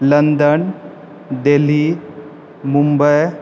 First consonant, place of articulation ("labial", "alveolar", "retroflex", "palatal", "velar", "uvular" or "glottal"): alveolar